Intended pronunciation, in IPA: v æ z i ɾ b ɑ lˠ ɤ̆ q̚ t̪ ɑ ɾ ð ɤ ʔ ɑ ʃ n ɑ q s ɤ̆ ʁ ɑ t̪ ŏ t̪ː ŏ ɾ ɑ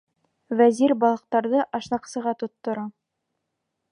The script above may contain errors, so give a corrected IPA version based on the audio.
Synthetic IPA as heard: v æ z i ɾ b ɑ lˠ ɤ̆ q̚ t̪ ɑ ɾ ð ɤ ʔ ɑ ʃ n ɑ q s ɤ̆ ʁ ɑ t̪ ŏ t̪ː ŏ ɾ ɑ